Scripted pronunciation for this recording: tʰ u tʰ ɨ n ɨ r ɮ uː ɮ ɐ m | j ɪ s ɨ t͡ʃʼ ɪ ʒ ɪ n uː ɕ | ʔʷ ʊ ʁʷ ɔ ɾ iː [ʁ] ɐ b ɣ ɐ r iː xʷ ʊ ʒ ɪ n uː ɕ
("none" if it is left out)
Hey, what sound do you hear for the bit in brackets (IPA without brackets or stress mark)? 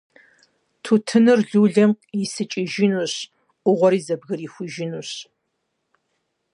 z